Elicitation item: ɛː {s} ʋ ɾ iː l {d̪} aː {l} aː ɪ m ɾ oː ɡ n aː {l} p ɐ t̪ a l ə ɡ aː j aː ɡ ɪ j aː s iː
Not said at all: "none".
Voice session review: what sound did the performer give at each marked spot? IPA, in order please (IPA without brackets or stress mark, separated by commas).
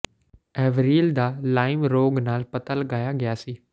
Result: none, d̪, l, l